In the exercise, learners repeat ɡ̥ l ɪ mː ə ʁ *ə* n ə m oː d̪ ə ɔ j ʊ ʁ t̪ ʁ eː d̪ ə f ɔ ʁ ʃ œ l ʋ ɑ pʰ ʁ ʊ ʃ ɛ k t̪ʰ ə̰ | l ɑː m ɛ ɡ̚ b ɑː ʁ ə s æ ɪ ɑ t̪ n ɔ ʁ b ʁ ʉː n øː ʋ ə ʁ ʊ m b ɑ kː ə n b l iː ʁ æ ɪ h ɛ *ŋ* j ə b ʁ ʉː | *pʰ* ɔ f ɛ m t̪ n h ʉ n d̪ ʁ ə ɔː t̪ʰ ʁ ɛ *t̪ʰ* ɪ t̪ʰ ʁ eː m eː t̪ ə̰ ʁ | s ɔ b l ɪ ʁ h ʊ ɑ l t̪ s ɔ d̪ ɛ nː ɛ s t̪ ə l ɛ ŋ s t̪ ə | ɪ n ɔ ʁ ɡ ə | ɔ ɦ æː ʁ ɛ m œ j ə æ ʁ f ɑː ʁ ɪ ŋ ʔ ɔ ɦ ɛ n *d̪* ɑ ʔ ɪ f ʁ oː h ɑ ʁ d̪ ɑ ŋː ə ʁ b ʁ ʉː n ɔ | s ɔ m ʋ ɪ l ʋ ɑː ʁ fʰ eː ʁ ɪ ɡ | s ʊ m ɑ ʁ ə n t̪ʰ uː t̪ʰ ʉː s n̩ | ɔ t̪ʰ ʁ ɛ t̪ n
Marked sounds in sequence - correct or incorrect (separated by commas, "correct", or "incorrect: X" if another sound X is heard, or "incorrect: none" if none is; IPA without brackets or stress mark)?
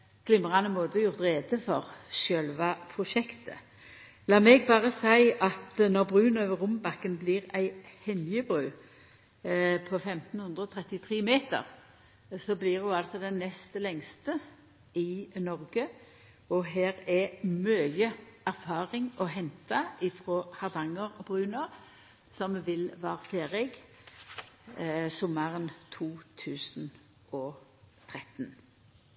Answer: incorrect: ɑ, incorrect: n, correct, incorrect: t̪, incorrect: t̪